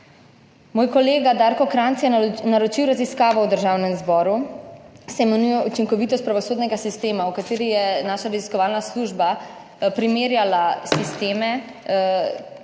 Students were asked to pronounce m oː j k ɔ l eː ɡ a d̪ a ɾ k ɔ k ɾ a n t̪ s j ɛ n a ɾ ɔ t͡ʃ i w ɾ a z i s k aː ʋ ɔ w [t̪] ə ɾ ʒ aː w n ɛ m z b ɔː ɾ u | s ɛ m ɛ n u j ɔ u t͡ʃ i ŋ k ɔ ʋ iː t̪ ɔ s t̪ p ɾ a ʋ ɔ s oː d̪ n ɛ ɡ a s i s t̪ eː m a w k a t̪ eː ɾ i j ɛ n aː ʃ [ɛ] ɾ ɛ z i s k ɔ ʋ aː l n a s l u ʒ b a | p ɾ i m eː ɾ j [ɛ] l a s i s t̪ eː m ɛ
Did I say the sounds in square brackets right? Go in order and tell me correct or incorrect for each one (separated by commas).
incorrect, incorrect, incorrect